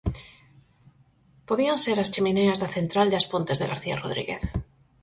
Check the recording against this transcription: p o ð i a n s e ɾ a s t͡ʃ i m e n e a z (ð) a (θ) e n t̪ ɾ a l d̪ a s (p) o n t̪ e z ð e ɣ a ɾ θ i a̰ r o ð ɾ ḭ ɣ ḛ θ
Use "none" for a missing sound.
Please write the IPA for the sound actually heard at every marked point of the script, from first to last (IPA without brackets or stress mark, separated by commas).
ð, θ, p